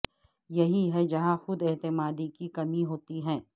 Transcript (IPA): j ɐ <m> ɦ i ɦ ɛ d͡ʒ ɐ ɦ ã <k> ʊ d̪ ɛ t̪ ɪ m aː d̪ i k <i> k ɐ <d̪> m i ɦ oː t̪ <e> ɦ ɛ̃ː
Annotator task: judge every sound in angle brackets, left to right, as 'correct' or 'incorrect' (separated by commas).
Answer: incorrect, incorrect, correct, incorrect, incorrect